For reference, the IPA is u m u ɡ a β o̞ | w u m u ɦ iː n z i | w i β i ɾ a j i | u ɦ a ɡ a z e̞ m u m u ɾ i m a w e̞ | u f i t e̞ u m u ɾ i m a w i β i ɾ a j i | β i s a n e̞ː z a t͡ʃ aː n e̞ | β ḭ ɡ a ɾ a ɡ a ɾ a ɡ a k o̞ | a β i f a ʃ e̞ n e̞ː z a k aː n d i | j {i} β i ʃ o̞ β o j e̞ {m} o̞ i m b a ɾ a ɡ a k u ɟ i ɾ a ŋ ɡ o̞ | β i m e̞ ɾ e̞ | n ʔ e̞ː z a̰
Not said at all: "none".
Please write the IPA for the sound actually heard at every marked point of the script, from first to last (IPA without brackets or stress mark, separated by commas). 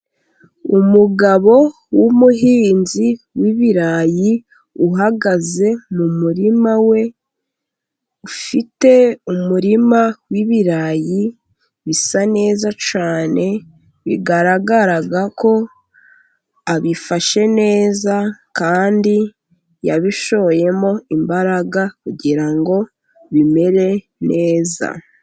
a, m